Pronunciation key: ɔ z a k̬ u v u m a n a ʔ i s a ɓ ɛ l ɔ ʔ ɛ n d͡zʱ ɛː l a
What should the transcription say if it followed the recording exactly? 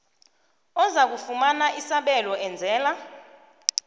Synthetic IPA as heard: ɔ z a k̬ u f u m a n a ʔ i s a ɓ ɛ l ɔ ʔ ɛ n d͡zʱ ɛː l a